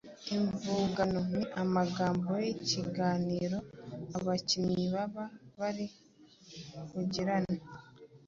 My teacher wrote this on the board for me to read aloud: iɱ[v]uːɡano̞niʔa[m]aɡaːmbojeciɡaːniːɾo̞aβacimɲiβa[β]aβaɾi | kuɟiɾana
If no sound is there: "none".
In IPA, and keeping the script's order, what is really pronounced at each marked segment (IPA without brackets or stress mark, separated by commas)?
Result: v, m, β